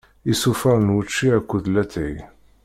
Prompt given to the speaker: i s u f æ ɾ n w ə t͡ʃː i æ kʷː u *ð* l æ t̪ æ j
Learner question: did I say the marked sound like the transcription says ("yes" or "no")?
yes